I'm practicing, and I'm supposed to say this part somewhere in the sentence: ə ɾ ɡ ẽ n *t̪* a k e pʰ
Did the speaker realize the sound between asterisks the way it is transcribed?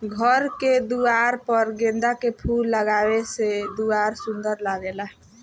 no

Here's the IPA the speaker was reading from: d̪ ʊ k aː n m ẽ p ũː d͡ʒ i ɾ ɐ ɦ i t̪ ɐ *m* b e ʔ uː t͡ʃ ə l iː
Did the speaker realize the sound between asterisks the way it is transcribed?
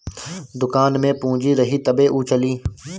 no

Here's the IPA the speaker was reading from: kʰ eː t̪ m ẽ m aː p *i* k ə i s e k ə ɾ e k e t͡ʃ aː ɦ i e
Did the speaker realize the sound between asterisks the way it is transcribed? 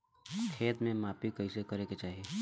yes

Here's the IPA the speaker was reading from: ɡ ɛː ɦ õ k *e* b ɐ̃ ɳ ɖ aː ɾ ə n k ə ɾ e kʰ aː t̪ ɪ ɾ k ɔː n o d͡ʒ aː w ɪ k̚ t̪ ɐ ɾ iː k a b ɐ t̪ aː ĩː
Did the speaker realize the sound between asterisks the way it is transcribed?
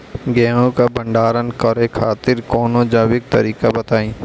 no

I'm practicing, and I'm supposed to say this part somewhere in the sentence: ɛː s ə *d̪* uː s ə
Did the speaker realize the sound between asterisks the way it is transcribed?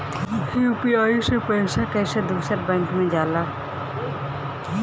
yes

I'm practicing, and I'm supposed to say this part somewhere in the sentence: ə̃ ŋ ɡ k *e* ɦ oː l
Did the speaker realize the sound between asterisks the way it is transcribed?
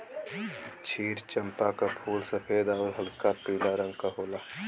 no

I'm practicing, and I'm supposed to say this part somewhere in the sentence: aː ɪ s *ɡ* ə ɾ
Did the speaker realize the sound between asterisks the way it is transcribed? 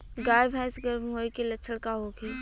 yes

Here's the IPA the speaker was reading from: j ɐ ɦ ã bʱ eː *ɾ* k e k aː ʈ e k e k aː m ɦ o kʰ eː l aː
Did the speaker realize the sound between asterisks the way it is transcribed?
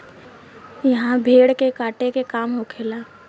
no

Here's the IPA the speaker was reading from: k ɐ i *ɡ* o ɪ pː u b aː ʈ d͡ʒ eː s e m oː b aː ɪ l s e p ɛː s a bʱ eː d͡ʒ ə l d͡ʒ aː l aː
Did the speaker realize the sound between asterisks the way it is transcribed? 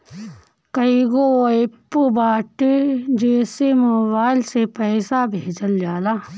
yes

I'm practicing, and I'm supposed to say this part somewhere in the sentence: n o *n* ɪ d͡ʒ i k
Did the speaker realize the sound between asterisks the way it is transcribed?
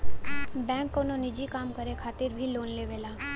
yes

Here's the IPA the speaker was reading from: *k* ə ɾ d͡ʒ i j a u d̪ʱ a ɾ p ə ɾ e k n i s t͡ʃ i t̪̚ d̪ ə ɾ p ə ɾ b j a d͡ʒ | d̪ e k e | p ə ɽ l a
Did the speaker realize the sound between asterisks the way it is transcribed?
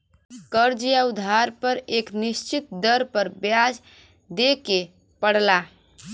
yes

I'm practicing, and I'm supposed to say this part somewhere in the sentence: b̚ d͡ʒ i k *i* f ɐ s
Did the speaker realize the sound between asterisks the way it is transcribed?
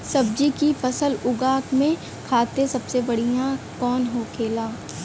yes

